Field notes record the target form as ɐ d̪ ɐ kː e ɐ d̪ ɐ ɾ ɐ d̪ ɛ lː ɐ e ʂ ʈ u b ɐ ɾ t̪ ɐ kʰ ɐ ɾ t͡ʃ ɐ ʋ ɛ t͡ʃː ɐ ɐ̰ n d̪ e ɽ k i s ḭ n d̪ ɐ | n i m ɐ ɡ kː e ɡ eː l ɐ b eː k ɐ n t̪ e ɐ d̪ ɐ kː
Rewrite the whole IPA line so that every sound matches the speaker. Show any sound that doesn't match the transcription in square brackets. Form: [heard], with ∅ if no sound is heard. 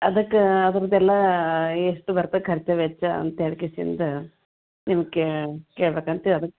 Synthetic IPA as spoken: ɐ d̪ ɐ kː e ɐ d̪ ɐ ɾ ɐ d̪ ɛ lː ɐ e ʂ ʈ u b ɐ ɾ t̪ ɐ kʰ ɐ ɾ t͡ʃ ɐ ʋ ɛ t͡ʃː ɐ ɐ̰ n [t̪] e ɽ k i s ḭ n d̪ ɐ | n i m ɐ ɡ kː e [k] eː [ɭ] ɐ b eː k ɐ n t̪ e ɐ d̪ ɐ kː